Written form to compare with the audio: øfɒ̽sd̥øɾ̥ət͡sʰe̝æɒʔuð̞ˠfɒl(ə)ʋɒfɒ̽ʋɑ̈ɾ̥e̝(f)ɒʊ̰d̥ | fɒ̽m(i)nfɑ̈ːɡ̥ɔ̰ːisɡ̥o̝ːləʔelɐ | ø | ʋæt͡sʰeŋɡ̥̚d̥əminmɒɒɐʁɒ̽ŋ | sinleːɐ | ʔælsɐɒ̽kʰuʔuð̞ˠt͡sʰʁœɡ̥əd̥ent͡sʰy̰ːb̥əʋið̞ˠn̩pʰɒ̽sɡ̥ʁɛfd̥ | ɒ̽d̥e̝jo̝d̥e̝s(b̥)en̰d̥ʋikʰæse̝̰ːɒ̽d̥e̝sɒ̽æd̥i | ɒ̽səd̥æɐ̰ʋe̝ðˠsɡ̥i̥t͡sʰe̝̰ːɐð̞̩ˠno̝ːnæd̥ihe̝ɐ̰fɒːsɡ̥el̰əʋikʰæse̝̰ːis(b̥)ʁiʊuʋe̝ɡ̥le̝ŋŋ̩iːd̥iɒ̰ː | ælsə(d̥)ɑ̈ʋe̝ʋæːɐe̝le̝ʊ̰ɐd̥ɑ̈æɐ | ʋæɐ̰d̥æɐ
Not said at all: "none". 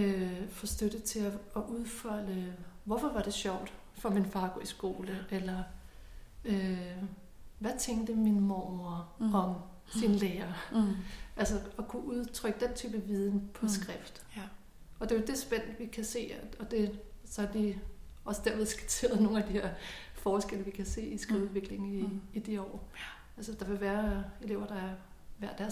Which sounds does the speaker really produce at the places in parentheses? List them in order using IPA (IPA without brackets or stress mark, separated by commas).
ə, ɕ, i, b̥, ɡ̥, d̥